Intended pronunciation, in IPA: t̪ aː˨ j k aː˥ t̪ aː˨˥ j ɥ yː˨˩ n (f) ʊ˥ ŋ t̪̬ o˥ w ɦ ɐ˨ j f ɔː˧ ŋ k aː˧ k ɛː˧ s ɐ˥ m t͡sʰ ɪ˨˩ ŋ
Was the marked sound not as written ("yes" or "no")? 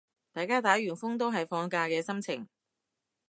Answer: no